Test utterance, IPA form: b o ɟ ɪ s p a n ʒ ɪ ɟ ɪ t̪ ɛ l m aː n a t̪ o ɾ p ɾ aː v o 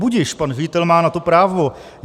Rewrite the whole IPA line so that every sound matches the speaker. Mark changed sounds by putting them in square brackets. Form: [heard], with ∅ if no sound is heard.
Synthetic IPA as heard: b [u] ɟ ɪ [ʃ] p a n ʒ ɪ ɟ ɪ t̪ ɛ l m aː n a t̪ o [∅] p ɾ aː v o

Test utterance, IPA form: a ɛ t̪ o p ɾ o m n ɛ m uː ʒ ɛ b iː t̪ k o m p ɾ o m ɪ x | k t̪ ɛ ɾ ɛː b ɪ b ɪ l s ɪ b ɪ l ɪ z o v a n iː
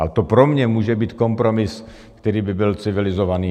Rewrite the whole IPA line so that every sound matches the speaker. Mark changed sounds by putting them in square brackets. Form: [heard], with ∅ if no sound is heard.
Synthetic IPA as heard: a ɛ t̪ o p ɾ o m [ɲ] ɛ m uː ʒ ɛ b iː t̪ k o m p ɾ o m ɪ [s] | k t̪ ɛ ɾ [iː] b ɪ b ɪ l [t͡s] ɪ [v] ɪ l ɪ z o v a n iː

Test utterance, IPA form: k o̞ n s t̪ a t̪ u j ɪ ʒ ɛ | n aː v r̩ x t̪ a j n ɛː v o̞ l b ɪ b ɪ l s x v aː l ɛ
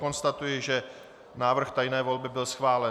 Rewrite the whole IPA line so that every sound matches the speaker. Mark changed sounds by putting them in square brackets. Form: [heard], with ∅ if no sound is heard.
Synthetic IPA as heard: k o̞ n s t̪ a t̪ u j ɪ ʒ ɛ | n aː v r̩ x t̪ a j n ɛː v o̞ l b ɪ b ɪ l s x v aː l ɛ

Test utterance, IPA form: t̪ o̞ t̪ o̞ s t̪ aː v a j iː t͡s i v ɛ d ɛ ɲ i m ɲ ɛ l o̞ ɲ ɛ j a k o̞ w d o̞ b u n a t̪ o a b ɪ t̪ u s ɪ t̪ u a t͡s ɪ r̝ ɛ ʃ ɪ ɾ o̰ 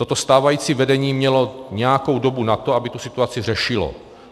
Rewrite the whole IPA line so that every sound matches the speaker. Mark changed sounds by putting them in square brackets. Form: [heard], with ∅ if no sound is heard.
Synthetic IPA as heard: t̪ o̞ t̪ o̞ s t̪ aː v a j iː t͡s i v ɛ d ɛ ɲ [iː] m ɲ ɛ l o̞ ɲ ɛ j a k o̞ w d o̞ b u n a t̪ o a b ɪ t̪ u s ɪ t̪ u a t͡s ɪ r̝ ɛ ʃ ɪ [l] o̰

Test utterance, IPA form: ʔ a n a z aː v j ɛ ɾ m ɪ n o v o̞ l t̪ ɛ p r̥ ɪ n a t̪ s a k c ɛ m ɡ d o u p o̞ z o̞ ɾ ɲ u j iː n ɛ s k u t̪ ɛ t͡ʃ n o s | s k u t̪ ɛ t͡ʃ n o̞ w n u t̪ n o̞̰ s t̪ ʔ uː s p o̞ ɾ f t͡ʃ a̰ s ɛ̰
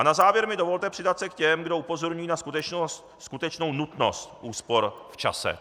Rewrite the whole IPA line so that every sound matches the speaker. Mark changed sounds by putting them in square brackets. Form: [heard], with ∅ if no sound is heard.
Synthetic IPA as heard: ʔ a n a z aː v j ɛ ɾ m ɪ [d] o v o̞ l t̪ ɛ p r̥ ɪ [d] a t̪ s [ɛ] k c ɛ m ɡ d o u p o̞ z o̞ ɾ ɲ u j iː n [a] s k u t̪ ɛ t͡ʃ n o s | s k u t̪ ɛ t͡ʃ n o̞ w n u t̪ n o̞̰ s t̪ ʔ uː s p o̞ ɾ f t͡ʃ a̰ s ɛ̰

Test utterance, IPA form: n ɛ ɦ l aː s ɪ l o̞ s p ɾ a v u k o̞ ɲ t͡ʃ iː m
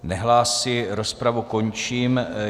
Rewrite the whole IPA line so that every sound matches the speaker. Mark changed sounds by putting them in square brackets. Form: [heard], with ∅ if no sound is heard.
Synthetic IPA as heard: n ɛ ɦ l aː s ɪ [ɾ] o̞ s p ɾ a v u k o̞ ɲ t͡ʃ iː m

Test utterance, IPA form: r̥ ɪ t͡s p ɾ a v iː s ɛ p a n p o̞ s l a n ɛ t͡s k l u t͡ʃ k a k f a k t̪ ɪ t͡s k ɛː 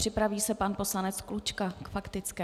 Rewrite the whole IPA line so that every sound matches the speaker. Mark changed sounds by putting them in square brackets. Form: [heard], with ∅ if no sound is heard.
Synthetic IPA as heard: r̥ ɪ [∅] p ɾ a v iː s ɛ p a n p o̞ s l a n ɛ t͡s k l u t͡ʃ k a k f a k t̪ ɪ t͡s k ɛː

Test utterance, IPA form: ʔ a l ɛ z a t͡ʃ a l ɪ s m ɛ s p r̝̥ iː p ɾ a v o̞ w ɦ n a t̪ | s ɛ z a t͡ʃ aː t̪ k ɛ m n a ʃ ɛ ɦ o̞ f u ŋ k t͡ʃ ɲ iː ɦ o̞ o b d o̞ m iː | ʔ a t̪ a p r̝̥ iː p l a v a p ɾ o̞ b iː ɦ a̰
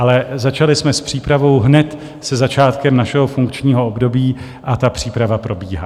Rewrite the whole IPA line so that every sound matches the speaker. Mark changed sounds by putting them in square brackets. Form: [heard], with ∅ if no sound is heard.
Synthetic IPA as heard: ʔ a l ɛ z a t͡ʃ a l ɪ s m ɛ s p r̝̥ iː p ɾ a v o̞ w ɦ n [ɛ] t̪ | s ɛ z a t͡ʃ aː t̪ k ɛ m n a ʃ ɛ ɦ o̞ f u ŋ k t͡ʃ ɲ iː ɦ o̞ o b d o̞ [b] iː | ʔ a t̪ a p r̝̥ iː p [ɾ] a v a p ɾ o̞ b iː ɦ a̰

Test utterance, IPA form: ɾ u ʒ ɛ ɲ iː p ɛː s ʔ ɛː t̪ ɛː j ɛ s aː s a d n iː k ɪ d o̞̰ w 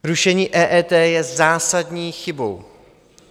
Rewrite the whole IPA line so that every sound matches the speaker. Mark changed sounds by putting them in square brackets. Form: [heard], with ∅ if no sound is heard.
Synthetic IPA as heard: ɾ u [ʃ] ɛ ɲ iː [ʔ] ɛː [∅] ʔ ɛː t̪ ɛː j ɛ [z] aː s a d [ɲ] iː [x] ɪ [b] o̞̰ w

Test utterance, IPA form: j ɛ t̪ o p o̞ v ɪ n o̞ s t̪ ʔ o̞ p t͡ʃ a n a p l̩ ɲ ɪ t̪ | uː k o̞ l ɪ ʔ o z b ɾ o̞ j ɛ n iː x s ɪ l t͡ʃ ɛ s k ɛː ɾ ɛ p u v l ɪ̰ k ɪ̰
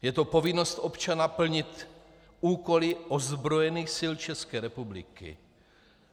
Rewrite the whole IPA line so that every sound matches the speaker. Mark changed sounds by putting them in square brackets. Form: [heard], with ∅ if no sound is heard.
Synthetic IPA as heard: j ɛ t̪ o p o̞ v ɪ n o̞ s t̪ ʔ o̞ p t͡ʃ a n a p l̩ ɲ ɪ t̪ | uː k o̞ l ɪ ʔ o z b ɾ o̞ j ɛ n iː x s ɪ l t͡ʃ ɛ s k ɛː ɾ ɛ p u [b] l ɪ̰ k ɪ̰

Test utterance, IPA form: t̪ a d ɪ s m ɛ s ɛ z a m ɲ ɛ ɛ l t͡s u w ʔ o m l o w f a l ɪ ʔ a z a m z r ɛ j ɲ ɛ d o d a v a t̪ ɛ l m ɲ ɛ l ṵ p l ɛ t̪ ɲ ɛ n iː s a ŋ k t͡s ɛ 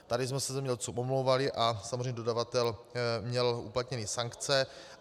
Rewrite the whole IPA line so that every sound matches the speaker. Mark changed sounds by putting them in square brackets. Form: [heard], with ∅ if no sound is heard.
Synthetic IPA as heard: t̪ a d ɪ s m ɛ s ɛ z [ɛ] m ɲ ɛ ɛ l t͡s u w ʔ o m l o w [v] a l ɪ ʔ a [s] a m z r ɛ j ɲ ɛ d o d a v a t̪ ɛ l m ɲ ɛ l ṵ p l [a] t̪ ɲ ɛ n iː s a ŋ k t͡s ɛ

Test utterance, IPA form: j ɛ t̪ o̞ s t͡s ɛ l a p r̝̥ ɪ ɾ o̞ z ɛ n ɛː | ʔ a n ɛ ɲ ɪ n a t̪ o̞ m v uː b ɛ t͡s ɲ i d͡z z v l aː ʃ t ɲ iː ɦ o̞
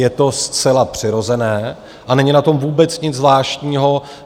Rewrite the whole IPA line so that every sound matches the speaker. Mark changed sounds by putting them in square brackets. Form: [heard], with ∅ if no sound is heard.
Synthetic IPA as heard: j ɛ t̪ o̞ s t͡s ɛ l a p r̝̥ ɪ ɾ o̞ z ɛ n ɛː | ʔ a n ɛ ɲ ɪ n a t̪ o̞ m v uː b ɛ t͡s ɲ [ɪ] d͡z z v l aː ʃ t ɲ iː ɦ o̞

